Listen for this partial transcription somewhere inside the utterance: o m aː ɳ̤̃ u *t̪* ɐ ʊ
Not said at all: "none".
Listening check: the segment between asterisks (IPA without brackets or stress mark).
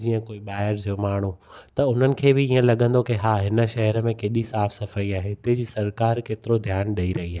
t̪